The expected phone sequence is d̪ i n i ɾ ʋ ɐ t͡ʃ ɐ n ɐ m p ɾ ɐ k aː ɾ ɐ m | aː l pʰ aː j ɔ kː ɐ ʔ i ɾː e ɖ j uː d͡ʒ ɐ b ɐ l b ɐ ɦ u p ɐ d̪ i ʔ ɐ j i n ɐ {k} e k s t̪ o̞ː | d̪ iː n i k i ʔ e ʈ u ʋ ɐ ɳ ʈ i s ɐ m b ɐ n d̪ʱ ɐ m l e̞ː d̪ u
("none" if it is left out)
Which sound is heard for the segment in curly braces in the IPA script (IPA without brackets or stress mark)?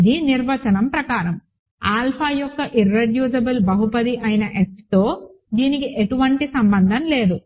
ʔ